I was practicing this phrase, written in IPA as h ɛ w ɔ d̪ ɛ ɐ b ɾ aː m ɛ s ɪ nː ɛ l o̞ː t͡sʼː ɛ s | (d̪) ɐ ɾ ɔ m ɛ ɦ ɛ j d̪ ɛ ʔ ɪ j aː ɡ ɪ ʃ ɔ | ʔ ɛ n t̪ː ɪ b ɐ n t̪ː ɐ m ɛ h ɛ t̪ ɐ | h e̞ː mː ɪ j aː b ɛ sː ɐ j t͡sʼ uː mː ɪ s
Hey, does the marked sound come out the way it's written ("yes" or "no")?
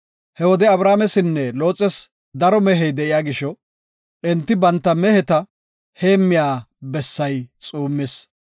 yes